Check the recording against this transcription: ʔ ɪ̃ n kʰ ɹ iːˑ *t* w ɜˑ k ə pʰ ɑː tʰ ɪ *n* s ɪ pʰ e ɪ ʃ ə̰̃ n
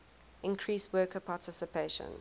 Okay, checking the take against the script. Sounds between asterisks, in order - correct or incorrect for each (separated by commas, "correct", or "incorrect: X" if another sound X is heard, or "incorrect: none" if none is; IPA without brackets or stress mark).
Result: incorrect: s, incorrect: none